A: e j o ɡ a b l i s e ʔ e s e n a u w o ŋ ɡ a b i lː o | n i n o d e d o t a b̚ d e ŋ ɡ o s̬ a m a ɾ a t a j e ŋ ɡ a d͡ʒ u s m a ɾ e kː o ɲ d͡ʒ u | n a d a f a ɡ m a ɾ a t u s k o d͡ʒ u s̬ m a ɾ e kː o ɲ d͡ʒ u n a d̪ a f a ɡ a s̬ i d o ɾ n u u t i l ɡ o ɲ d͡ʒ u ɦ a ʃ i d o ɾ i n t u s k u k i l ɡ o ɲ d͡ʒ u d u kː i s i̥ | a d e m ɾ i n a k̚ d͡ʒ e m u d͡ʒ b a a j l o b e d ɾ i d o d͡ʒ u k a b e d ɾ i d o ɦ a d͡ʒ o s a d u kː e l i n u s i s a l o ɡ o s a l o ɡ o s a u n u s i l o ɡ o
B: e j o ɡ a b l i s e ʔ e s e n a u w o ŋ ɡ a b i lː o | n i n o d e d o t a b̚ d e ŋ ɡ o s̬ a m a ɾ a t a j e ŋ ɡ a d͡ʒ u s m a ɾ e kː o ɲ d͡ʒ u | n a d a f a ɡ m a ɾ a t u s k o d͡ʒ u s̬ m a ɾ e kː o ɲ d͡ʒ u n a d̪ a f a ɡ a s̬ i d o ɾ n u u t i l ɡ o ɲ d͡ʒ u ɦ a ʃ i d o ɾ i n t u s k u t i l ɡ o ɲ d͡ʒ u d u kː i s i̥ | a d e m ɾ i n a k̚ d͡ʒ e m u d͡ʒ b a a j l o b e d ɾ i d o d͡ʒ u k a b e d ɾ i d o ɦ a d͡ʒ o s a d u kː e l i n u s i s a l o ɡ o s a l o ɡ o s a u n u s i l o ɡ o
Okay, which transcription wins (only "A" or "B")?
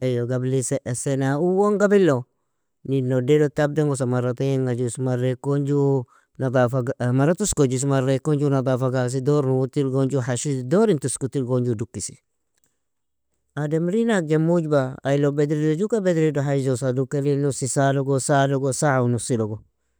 B